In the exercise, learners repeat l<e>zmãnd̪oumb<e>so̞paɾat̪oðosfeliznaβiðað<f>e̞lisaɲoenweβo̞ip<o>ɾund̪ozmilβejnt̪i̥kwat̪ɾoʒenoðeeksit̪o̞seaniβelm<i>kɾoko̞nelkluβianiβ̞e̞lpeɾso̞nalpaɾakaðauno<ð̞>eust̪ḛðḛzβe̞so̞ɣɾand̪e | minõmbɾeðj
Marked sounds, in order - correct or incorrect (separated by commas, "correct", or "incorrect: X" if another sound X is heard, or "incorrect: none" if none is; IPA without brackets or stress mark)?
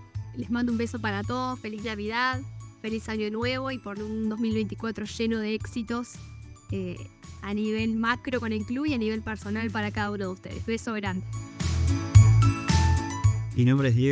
correct, correct, correct, correct, incorrect: a, correct